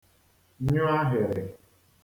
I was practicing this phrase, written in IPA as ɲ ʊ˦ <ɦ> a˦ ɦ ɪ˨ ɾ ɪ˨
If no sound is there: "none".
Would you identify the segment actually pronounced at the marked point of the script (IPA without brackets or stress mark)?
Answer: none